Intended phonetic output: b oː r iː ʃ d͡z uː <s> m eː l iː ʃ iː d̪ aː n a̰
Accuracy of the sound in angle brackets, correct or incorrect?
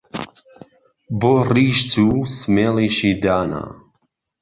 correct